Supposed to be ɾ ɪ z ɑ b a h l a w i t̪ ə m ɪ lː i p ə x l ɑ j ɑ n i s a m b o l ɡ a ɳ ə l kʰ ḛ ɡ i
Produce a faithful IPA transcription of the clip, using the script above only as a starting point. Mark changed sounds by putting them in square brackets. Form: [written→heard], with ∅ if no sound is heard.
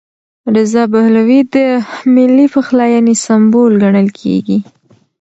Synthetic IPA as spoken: ɾ ɪ z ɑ b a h l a w i [t̪→d̪] ə m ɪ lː i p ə x l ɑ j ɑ n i s a m b o l ɡ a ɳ ə l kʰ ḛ ɡ i